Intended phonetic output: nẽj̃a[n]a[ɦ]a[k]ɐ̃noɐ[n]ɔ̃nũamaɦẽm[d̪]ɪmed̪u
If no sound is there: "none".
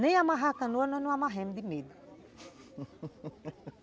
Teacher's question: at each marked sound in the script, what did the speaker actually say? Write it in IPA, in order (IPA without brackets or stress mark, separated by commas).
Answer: m, ɦ, k, n, d̪